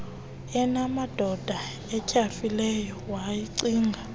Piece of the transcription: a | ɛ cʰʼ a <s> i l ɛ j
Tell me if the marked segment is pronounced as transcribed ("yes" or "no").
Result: no